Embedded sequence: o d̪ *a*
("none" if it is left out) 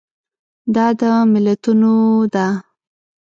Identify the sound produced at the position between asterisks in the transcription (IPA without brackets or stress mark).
a